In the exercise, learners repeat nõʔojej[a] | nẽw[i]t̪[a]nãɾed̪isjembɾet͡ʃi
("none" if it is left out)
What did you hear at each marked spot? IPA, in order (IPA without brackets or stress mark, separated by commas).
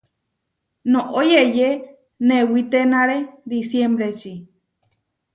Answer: e, i, e